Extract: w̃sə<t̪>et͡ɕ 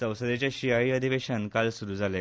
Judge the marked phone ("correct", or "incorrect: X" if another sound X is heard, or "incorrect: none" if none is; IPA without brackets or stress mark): incorrect: d̪